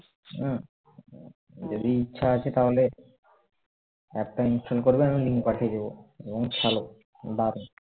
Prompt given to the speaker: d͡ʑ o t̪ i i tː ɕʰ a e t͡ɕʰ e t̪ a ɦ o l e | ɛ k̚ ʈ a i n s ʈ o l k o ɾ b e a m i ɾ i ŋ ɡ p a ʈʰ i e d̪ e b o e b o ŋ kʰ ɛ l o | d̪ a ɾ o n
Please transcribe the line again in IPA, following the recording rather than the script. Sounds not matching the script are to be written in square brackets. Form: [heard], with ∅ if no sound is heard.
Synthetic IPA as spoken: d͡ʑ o [d̪] i i tː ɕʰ a [a] t͡ɕʰ e t̪ a ɦ o l e | ɛ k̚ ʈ a i n s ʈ o l k o ɾ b e a m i [l] i ŋ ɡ p a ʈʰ i e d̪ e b o e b o ŋ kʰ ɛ l o | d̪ a ɾ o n